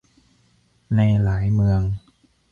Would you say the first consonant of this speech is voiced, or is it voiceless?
voiced